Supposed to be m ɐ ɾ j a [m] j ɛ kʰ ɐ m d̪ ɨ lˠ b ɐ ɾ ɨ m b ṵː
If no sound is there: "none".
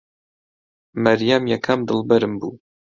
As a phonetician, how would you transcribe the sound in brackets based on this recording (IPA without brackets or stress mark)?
m